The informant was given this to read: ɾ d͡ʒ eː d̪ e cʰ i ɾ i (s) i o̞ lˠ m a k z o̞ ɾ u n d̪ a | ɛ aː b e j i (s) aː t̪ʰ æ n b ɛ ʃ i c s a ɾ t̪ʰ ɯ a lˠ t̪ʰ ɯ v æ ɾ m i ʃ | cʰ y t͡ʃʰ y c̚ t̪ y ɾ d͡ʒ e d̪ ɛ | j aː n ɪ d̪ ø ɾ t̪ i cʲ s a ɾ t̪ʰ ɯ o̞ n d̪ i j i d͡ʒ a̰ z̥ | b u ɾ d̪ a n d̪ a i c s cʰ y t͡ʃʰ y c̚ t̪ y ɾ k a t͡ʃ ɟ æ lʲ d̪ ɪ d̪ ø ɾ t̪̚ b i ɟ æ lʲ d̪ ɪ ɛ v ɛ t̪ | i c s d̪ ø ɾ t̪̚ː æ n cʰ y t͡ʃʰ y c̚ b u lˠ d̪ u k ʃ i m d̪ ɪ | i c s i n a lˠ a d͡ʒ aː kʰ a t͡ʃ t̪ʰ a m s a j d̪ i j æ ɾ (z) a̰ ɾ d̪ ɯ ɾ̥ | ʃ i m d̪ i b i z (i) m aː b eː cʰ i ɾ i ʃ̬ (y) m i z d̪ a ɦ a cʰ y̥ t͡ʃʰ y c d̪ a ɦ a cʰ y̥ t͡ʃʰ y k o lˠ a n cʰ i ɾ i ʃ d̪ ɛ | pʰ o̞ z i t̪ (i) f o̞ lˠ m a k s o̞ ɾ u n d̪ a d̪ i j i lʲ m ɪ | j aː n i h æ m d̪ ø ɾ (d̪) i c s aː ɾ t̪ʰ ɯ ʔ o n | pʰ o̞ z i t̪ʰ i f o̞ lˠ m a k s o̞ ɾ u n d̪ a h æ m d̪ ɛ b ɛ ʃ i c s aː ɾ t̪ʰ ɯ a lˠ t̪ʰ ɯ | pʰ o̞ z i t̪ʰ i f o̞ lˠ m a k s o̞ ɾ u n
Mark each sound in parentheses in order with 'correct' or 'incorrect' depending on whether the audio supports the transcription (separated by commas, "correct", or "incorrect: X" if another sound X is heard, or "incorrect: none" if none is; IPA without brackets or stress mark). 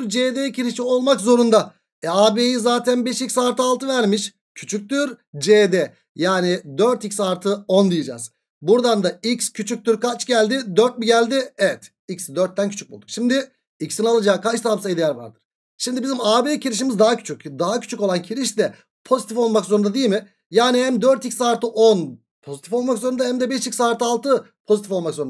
incorrect: ʃ, incorrect: z, incorrect: v, correct, incorrect: i, correct, incorrect: t̪